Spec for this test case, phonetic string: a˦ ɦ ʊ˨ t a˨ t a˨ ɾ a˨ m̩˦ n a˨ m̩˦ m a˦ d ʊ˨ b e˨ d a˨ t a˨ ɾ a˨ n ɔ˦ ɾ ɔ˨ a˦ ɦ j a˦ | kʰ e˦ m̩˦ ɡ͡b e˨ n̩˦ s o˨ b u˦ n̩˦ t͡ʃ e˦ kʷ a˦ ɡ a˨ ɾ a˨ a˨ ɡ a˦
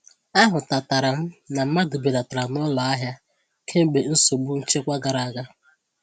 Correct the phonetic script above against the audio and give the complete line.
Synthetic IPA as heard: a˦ ɦ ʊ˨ t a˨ t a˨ ɾ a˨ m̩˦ n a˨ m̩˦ m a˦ d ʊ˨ b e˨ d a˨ t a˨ ɾ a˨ n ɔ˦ l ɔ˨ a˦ ɦ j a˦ | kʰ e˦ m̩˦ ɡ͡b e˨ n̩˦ s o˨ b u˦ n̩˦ t͡ʃ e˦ kʷ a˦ ɡ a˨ ɾ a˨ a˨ ɡ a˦